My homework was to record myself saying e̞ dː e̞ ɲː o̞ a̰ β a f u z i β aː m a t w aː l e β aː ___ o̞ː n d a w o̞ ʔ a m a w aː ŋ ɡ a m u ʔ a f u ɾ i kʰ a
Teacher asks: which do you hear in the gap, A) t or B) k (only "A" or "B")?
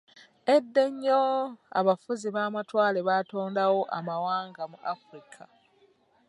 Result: A